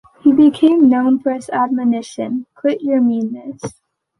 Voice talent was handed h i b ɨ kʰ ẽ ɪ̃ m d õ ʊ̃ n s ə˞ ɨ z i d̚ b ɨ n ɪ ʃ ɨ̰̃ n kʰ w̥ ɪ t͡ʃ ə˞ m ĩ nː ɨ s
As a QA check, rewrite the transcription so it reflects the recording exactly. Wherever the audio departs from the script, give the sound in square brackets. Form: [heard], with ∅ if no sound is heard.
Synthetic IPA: h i b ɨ kʰ ẽ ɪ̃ m [n] õ ʊ̃ n [f] ə˞ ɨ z [æ] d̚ [m] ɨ n ɪ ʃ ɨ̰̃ n kʰ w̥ ɪ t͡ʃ ə˞ m ĩ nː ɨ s

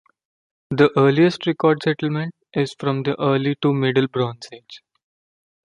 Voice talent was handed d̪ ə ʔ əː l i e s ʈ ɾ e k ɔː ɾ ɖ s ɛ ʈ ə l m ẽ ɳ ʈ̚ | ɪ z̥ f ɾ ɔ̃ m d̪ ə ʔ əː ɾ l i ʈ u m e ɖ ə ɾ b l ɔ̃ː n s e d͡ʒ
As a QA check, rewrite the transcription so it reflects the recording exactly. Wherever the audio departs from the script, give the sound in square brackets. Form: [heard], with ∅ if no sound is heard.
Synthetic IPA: d̪ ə ʔ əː l i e s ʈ ɾ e k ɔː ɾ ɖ s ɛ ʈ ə l m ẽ ɳ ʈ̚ | ɪ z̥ f ɾ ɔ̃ m d̪ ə ʔ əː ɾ l i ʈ u m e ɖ ə [l] b [ɾ] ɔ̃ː n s e d͡ʒ

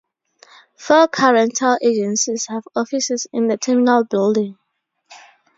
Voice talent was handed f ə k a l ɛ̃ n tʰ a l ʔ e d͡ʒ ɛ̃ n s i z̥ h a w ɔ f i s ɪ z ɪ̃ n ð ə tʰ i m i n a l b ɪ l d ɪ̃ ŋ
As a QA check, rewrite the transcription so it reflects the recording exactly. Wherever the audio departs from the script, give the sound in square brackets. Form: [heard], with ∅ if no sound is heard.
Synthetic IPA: f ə [kʰ] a [ɹ] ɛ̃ n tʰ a l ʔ e d͡ʒ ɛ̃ n s i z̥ h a [v] ɔ f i s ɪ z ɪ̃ n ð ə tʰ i m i n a l b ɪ l d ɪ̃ ŋ

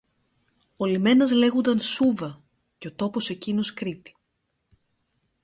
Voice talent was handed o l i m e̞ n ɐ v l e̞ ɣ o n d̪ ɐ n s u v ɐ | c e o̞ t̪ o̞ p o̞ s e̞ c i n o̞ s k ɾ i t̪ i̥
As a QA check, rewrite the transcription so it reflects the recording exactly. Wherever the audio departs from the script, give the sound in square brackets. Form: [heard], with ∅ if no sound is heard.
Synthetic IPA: o l i m e̞ n ɐ [z] l e̞ ɣ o n d̪ ɐ n s u v ɐ | c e o̞ t̪ o̞ p o̞ s e̞ c i n o̞ s k ɾ i t̪ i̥

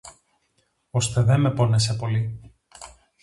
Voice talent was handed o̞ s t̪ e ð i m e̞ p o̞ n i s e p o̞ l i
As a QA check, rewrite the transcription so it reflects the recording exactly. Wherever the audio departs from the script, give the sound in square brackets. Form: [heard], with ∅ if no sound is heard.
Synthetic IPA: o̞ s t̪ e ð [e] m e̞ p o̞ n [e] s e p o̞ l i

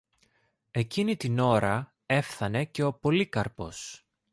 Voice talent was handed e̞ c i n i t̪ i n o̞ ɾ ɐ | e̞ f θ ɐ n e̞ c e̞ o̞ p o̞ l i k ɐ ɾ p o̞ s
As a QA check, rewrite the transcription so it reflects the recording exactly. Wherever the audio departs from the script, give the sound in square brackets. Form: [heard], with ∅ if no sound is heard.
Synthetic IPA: e̞ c i n i t̪ i n o̞ ɾ ɐ | e̞ f θ ɐ n e̞ c e̞ o̞ p o̞ l i k ɐ ɾ p o̞ s

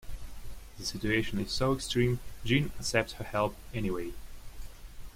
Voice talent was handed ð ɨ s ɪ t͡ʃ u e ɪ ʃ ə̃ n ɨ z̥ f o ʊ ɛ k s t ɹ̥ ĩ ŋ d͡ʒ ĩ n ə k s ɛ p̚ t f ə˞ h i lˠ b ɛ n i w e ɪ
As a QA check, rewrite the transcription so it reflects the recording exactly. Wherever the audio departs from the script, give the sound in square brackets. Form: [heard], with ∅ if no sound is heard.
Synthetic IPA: ð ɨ s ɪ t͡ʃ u e ɪ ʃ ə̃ n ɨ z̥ [s] o ʊ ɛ k s t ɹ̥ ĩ [m] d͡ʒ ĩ n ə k s ɛ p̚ t [h] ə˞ h [ɛ] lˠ [p] ɛ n i w e ɪ

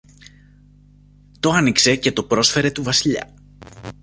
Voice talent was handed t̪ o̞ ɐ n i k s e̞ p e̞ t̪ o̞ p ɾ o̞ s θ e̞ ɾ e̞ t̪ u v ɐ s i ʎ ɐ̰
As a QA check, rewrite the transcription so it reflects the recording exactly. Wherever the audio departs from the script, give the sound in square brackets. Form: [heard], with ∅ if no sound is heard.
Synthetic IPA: t̪ o̞ ɐ n i k s e̞ [c] e̞ t̪ o̞ p ɾ o̞ s [f] e̞ ɾ e̞ t̪ u v ɐ s i ʎ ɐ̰

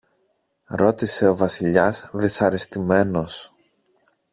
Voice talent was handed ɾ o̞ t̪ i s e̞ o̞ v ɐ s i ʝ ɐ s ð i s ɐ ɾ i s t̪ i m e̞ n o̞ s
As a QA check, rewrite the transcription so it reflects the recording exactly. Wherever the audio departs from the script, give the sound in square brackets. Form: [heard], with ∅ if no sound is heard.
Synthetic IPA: ɾ o̞ t̪ i s e̞ o̞ v ɐ s i [ʎ] ɐ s ð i s ɐ ɾ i s t̪ i m e̞ n o̞ s

